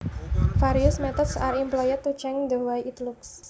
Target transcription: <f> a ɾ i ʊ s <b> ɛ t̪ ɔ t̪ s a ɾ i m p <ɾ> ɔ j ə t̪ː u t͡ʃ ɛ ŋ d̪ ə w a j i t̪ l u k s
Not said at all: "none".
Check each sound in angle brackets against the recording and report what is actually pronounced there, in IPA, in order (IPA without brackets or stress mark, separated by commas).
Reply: f, m, l